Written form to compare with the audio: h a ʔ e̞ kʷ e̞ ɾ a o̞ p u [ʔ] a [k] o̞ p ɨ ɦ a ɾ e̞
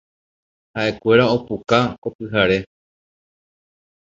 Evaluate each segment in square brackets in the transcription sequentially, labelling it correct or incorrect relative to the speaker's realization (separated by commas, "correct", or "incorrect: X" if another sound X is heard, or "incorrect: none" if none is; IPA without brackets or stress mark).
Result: incorrect: k, correct